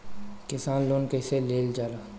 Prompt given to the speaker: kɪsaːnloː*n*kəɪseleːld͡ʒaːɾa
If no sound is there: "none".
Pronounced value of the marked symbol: n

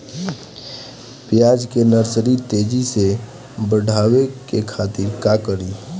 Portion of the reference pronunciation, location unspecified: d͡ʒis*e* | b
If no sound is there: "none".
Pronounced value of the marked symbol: e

